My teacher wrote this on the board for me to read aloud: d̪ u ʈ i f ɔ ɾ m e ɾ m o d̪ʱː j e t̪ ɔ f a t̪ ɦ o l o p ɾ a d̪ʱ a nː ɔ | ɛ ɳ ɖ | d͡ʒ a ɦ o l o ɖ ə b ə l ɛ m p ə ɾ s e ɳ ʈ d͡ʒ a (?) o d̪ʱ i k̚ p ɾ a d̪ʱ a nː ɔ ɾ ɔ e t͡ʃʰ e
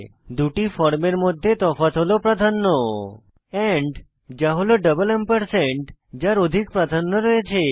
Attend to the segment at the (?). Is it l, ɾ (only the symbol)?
ɾ